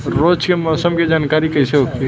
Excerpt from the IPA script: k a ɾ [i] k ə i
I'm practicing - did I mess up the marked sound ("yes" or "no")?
no